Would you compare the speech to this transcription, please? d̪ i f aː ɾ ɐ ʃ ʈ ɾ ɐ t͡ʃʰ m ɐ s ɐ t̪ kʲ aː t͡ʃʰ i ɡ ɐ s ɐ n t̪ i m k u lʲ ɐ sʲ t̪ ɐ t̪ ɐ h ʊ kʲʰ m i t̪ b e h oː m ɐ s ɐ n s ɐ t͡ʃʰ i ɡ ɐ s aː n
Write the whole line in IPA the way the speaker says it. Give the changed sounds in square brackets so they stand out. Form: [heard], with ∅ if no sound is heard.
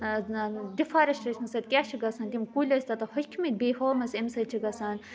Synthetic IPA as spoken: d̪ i f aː ɾ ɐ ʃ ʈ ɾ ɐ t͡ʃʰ m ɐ s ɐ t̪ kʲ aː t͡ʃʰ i ɡ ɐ s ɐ n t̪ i m k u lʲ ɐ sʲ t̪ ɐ t̪ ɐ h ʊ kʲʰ m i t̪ b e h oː m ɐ s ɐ [m] s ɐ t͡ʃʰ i ɡ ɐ s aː n